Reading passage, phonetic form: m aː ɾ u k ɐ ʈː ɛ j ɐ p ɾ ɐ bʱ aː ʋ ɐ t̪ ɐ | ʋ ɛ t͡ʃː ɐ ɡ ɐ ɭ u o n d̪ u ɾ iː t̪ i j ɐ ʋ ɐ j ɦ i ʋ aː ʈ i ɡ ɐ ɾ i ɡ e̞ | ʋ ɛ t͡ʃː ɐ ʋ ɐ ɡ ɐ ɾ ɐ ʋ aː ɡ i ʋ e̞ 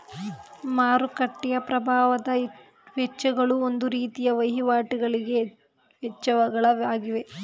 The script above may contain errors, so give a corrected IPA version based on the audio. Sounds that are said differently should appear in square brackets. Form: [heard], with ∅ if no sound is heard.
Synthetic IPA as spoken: m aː ɾ u k ɐ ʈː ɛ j ɐ p ɾ ɐ bʱ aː ʋ ɐ [d̪] ɐ | ʋ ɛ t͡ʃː ɐ ɡ ɐ ɭ u o n d̪ u ɾ iː t̪ i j ɐ ʋ ɐ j ɦ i ʋ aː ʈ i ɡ ɐ [ɭ] i ɡ e̞ | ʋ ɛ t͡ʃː ɐ ʋ ɐ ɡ ɐ [ɭ] ɐ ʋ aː ɡ i ʋ e̞

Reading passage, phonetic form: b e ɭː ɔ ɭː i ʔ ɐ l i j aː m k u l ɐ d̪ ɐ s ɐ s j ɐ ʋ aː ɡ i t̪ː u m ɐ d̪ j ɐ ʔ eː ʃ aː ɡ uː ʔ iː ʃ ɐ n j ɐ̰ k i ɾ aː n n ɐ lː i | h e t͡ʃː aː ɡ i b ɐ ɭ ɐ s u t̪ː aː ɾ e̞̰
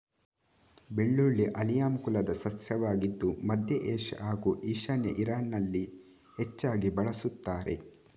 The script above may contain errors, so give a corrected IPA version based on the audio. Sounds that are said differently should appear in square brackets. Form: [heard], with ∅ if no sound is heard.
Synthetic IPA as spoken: b e ɭː [u] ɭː i ʔ ɐ l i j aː m k u l ɐ d̪ ɐ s ɐ s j ɐ ʋ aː ɡ i [d̪ː] u m ɐ d̪ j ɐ ʔ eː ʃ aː ɡ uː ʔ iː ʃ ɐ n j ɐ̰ [ʔ] i ɾ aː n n ɐ lː i | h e t͡ʃː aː ɡ i b ɐ ɭ ɐ s u t̪ː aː ɾ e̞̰

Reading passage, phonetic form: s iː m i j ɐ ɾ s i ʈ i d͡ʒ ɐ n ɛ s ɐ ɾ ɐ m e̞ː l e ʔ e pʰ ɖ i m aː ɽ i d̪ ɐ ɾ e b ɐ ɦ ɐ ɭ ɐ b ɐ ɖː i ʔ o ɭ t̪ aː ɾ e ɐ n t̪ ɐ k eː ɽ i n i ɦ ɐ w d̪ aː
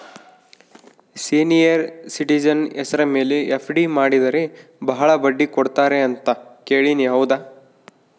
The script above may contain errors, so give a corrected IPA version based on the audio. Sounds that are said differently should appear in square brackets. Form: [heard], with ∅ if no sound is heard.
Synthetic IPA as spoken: s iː [n] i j ɐ ɾ s i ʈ i d͡ʒ ɐ n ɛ s ɐ ɾ ɐ m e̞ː l e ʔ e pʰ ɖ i m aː ɽ i d̪ ɐ ɾ e b ɐ ɦ ɐ ɭ ɐ b ɐ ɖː i [k] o [ɽ] t̪ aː ɾ e ɐ n t̪ ɐ k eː [ɭ] i n i ɦ ɐ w d̪ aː

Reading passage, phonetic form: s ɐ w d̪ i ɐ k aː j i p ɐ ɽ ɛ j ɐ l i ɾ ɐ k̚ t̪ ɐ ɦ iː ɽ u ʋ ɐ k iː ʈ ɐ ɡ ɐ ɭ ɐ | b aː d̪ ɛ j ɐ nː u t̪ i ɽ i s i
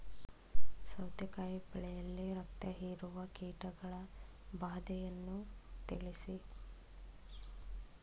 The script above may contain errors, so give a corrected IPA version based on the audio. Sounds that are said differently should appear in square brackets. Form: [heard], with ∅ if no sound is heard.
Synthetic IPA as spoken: s ɐ w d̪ [j] ɐ k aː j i p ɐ [ɭ] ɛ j ɐ [lː] i ɾ ɐ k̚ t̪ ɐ ɦ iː [ɾ] u ʋ ɐ k iː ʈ ɐ ɡ ɐ ɭ ɐ | b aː d̪ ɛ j ɐ nː u t̪ i [ɭ] i s i

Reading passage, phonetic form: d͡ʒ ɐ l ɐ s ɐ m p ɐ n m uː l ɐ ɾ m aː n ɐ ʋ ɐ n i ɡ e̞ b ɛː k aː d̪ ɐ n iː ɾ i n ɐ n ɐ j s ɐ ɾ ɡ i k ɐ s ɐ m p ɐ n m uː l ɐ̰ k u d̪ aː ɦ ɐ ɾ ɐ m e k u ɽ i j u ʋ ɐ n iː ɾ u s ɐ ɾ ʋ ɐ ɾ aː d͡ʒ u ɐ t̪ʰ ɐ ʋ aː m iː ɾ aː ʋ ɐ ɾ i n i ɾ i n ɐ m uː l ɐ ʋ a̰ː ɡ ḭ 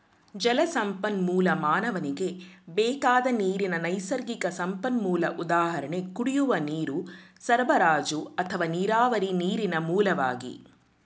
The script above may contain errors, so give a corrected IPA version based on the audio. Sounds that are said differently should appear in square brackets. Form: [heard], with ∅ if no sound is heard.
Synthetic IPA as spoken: d͡ʒ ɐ l ɐ s ɐ m p ɐ n m uː l ɐ [∅] m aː n ɐ ʋ ɐ n i ɡ e̞ b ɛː k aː d̪ ɐ n iː ɾ i n ɐ n ɐ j s ɐ ɾ ɡ i k ɐ s ɐ m p ɐ n m uː l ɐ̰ [ʔ] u d̪ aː ɦ ɐ ɾ ɐ [ɳ] e k u ɽ i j u ʋ ɐ n iː ɾ u s ɐ ɾ ʋ ɐ ɾ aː d͡ʒ u ɐ t̪ʰ ɐ ʋ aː [n] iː ɾ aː ʋ ɐ ɾ i n [iː] ɾ i n ɐ m uː l ɐ ʋ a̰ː ɡ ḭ

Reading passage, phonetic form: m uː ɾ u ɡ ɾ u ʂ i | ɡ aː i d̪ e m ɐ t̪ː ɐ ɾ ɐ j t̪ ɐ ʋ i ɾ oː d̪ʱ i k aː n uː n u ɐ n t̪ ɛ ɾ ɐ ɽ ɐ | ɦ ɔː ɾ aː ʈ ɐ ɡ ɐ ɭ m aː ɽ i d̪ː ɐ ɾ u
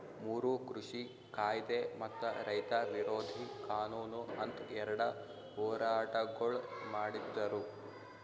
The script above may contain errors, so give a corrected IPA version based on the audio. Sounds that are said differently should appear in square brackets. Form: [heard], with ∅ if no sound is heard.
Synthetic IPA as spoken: m uː ɾ u [k] ɾ u ʂ i | [k] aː [j] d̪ e m ɐ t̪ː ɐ ɾ ɐ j t̪ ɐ ʋ i ɾ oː d̪ʱ i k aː n uː n u ɐ n t̪ ɛ ɾ ɐ ɽ ɐ | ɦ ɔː ɾ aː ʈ ɐ ɡ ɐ ɭ m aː ɽ i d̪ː ɐ ɾ u

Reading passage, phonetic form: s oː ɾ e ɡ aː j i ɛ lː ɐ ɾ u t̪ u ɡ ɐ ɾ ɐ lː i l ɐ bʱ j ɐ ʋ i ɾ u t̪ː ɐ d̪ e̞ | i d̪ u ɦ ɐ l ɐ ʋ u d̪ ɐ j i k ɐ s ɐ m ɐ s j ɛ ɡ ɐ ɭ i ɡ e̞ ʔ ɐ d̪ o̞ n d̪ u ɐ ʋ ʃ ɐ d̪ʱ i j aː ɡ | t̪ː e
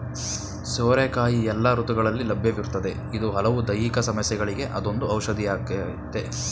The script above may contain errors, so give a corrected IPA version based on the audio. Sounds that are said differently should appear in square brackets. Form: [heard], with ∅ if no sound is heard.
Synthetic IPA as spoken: s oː ɾ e [k] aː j i ɛ lː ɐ ɾ u t̪ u ɡ ɐ [ɭ] ɐ lː i l ɐ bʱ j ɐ ʋ i ɾ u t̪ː ɐ d̪ e̞ | i d̪ u ɦ ɐ l ɐ ʋ u d̪ ɐ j i k ɐ s ɐ m ɐ s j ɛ ɡ ɐ ɭ i ɡ e̞ ʔ ɐ d̪ o̞ n d̪ u ɐ [w] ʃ ɐ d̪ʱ i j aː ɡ | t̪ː e

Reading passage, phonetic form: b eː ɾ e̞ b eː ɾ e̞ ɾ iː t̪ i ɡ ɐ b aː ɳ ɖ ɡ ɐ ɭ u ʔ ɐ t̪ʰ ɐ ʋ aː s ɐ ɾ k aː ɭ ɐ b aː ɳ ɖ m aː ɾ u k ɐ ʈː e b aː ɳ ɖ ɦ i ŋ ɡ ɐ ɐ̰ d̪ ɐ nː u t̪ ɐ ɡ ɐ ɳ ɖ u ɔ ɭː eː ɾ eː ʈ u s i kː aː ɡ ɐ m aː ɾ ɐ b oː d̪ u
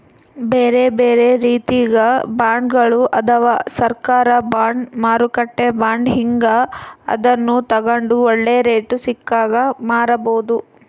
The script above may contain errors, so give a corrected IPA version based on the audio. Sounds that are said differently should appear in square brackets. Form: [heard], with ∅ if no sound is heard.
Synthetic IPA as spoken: b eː ɾ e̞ b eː ɾ e̞ ɾ iː t̪ i ɡ ɐ b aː ɳ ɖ ɡ ɐ ɭ u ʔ ɐ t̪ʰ ɐ ʋ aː s ɐ ɾ k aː [ɾ] ɐ b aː ɳ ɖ m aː ɾ u k ɐ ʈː e b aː ɳ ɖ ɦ i ŋ ɡ ɐ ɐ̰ d̪ ɐ nː u t̪ ɐ ɡ ɐ ɳ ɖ u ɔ ɭː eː ɾ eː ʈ u s i kː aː ɡ ɐ m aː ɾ ɐ b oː d̪ u

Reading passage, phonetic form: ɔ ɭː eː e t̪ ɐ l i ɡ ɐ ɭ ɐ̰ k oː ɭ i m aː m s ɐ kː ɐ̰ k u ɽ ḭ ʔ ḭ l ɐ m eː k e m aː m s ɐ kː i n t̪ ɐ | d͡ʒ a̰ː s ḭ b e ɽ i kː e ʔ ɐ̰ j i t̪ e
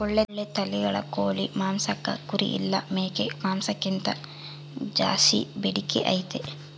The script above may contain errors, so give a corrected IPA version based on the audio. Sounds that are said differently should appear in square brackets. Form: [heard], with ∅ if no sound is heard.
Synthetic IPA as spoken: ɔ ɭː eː e t̪ ɐ l i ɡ ɐ ɭ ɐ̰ k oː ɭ i m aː m s ɐ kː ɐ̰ k u [ɾ] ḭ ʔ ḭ [lː] ɐ m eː k e m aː m s ɐ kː i n t̪ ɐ | d͡ʒ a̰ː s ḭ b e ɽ i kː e ʔ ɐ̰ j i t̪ e

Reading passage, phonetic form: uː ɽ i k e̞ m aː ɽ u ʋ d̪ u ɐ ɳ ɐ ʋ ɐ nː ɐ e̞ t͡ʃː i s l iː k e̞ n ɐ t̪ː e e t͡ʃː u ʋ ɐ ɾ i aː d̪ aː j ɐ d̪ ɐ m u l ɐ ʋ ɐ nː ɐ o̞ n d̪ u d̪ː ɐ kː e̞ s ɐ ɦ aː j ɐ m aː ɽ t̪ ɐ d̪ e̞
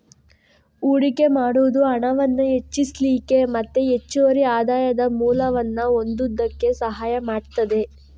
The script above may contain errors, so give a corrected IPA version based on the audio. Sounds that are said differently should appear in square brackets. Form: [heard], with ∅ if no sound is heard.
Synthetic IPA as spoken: uː ɽ i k e̞ m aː ɽ u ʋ d̪ u ɐ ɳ ɐ ʋ ɐ nː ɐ e̞ t͡ʃː i s l iː k e̞ [m] ɐ t̪ː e e t͡ʃː u ʋ ɐ ɾ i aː d̪ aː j ɐ d̪ ɐ m [uː] l ɐ ʋ ɐ nː ɐ o̞ n d̪ u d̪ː ɐ kː e̞ s ɐ ɦ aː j ɐ m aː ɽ t̪ ɐ d̪ e̞

